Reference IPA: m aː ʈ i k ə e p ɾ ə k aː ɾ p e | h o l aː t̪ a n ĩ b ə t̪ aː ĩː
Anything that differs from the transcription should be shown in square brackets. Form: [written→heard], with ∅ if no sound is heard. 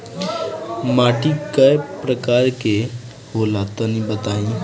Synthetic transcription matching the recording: m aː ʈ i k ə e p ɾ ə k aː ɾ [p→k] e | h o l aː t̪ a n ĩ b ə t̪ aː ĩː

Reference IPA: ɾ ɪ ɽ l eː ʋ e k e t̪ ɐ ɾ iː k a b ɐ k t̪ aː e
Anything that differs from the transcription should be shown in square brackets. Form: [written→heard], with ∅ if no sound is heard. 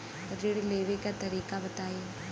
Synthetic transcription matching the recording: ɾ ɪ ɽ l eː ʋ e k [e→a] t̪ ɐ ɾ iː k a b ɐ [k→∅] t̪ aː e

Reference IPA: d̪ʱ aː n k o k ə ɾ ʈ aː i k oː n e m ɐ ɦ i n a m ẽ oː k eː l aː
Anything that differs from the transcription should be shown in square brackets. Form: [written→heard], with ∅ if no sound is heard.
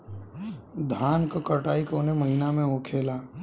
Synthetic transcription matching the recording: d̪ʱ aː n k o k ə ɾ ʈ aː i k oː n e m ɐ ɦ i n a m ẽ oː [k→kʰ] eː l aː

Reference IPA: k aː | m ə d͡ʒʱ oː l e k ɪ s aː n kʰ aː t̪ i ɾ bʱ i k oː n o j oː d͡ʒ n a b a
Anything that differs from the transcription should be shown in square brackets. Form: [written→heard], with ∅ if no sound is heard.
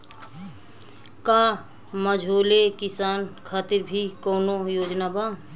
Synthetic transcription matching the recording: k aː | m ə d͡ʒʱ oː l e k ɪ s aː n kʰ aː t̪ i ɾ bʱ i k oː n o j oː d͡ʒ n a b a

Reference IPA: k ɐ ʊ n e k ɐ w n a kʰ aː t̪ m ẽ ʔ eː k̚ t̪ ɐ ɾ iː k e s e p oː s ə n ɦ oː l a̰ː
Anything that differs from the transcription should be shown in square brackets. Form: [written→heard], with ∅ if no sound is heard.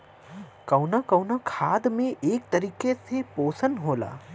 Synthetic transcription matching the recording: k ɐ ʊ n [e→a] k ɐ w n a kʰ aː [t̪→d̪] m ẽ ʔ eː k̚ t̪ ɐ ɾ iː k e s e p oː s ə n ɦ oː l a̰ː

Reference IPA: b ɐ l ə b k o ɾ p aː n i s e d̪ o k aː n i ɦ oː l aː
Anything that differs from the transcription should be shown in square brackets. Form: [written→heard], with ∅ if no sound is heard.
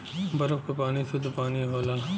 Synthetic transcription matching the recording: b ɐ [l→ɾ] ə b k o [ɾ→∅] p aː n i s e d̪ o [k→p] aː n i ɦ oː l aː

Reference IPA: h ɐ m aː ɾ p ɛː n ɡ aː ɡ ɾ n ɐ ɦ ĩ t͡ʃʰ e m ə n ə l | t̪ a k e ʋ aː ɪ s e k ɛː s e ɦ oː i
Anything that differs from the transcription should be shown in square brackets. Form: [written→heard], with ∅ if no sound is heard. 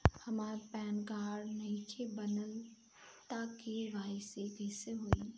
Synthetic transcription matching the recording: h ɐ m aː ɾ p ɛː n ɡ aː [ɡ→∅] ɾ n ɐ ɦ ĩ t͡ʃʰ e [m→b] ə n ə l | t̪ a k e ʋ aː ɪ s e k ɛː s e ɦ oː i

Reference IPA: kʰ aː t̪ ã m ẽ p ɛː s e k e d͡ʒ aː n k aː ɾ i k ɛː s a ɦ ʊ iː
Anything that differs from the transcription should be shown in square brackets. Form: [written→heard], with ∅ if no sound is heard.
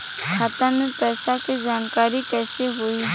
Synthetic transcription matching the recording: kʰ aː t̪ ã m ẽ p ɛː s [e→a] k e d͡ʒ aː n k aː ɾ i k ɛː s [a→e] ɦ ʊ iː

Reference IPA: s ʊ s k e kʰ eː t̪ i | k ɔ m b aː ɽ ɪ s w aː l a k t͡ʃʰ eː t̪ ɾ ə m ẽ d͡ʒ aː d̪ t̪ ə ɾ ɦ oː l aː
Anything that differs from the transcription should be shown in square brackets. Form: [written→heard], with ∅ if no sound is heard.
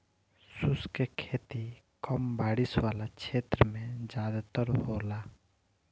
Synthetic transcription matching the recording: s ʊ s k e kʰ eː t̪ i | k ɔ m b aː ɽ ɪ s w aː l a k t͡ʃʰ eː t̪ ɾ ə m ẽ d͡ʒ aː d̪ t̪ ə ɾ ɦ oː l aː

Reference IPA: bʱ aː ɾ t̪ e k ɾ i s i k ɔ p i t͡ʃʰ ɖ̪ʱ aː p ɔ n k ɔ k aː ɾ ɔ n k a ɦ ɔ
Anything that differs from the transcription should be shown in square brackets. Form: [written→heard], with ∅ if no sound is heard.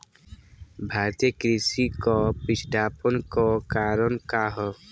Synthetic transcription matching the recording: bʱ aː ɾ t̪ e k ɾ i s i k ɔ p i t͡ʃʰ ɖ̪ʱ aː p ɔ n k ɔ k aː ɾ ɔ n k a ɦ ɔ

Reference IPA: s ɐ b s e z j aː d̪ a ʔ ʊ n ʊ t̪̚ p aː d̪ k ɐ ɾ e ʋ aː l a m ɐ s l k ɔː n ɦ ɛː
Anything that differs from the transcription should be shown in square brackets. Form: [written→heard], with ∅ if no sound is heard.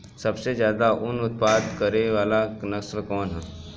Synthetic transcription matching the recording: s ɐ b s e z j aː d̪ a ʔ ʊ n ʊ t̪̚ p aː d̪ k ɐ ɾ e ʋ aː l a [m→n] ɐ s l k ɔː n ɦ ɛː

